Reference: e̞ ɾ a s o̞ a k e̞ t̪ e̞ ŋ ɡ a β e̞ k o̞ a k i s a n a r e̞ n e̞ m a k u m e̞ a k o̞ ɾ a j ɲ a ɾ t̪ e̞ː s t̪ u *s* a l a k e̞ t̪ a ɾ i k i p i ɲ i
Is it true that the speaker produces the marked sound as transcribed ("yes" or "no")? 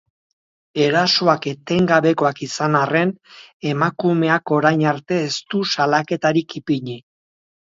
yes